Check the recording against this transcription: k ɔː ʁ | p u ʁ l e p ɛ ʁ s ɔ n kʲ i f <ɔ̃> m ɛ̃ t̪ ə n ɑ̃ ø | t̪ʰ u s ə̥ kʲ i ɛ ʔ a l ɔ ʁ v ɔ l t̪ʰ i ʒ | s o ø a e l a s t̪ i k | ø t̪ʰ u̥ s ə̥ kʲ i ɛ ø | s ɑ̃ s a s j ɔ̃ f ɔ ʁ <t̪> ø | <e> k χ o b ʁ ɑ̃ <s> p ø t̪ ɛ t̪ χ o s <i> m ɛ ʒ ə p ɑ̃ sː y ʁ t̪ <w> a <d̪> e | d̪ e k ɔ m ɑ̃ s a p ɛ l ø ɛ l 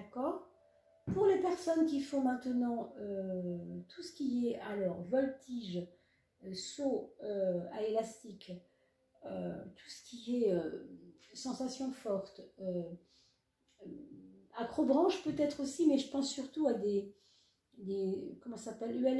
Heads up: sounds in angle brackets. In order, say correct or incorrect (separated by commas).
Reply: correct, correct, incorrect, incorrect, correct, incorrect, correct